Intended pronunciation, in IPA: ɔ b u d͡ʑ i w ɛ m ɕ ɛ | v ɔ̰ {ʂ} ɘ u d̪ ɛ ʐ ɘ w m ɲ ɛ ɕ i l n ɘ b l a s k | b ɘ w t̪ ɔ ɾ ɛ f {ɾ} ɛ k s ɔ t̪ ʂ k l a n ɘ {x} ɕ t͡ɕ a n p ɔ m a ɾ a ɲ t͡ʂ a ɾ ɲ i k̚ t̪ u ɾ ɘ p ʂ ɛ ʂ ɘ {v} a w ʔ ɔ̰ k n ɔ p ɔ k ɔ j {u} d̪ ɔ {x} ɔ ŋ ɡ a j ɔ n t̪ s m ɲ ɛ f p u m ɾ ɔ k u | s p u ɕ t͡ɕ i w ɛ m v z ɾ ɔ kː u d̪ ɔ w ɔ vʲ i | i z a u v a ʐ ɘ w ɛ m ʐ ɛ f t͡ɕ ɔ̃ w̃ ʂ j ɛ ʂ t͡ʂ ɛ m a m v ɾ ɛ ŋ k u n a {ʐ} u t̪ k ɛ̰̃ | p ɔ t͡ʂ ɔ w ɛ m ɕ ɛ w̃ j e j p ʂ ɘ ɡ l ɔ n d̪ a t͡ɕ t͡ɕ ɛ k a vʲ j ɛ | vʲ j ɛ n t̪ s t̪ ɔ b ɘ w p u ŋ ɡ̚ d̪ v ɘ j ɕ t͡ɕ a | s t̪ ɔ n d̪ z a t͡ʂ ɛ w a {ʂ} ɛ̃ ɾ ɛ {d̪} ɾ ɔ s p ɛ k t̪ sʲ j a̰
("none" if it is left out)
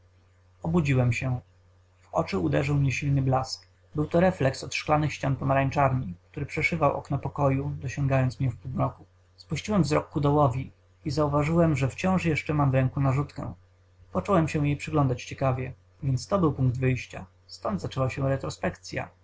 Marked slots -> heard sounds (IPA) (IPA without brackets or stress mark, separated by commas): t͡ʂ, l, x, v, u, ɕ, ʐ, ɕ, t̪